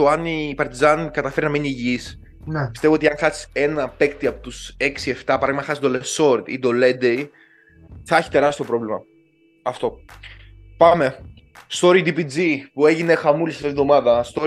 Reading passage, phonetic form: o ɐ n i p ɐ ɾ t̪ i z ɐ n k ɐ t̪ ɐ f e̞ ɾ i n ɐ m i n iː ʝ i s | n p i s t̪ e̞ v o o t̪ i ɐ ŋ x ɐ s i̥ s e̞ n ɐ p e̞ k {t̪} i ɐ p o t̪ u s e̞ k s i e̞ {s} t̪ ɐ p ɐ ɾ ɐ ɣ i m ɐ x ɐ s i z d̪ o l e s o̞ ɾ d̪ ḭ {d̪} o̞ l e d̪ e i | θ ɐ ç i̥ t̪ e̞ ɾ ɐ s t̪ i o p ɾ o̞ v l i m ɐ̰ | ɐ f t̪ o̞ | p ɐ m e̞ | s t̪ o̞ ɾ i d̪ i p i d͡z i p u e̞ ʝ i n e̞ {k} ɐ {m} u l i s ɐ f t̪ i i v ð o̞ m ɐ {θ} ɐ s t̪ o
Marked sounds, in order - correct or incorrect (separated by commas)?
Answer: correct, incorrect, correct, incorrect, correct, incorrect